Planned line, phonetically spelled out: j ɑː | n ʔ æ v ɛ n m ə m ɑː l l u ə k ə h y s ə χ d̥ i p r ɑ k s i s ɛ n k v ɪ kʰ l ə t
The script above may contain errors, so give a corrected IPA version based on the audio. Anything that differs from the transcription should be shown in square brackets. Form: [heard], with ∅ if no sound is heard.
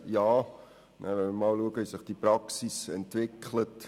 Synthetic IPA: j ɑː | n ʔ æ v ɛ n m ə m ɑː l l u ə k ə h [i] s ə χ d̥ i p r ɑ k s i s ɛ n [t] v ɪ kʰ l ə t